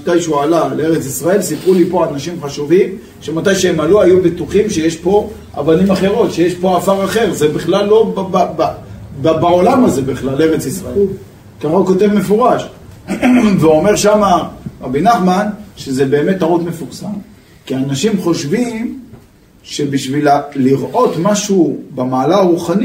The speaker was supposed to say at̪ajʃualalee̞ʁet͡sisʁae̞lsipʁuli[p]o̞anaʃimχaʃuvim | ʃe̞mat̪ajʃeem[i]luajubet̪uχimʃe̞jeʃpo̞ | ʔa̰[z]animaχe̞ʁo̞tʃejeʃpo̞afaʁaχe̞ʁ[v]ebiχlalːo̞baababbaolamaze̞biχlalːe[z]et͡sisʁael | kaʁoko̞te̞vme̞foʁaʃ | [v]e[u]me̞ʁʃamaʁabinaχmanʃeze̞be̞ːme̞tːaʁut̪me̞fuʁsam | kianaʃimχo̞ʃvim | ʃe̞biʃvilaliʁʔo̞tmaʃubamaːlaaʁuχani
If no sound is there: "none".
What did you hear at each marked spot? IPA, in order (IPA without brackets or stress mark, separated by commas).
p, a, v, z, ʁ, v, o